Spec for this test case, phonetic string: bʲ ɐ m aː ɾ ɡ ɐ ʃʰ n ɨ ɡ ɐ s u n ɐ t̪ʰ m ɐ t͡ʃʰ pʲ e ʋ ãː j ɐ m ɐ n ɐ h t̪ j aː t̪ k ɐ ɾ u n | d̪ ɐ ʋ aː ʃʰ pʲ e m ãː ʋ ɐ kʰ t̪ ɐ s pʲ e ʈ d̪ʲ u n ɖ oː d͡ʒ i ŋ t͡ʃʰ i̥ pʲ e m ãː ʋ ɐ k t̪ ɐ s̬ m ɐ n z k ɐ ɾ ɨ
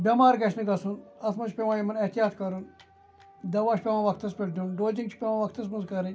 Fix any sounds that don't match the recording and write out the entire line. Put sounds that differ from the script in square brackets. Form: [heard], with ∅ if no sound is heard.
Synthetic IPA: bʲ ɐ m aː ɾ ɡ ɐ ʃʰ n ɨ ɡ ɐ s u n ɐ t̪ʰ m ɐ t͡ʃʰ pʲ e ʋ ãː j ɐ m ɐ n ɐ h t̪ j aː t̪ k ɐ ɾ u n | d̪ ɐ ʋ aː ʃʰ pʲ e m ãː ʋ ɐ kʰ t̪ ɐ s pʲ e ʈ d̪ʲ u n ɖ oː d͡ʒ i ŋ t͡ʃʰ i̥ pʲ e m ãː ʋ ɐ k t̪ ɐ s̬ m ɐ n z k ɐ ɾ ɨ